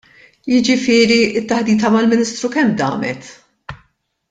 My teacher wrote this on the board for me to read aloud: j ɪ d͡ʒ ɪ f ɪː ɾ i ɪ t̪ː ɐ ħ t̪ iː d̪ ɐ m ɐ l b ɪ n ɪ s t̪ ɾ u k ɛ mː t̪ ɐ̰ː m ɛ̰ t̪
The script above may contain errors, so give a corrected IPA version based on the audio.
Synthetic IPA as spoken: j ɪ d͡ʒ ɪ f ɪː ɾ i ɪ t̪ː ɐ ħ d̪ iː t̪ ɐ m ɐ l m ɪ n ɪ s t̪ ɾ u k ɛ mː d̪ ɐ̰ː m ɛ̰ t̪